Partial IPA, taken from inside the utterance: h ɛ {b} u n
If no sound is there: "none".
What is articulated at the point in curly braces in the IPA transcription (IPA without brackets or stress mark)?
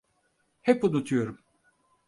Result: p